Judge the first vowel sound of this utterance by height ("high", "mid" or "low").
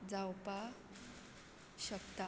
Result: low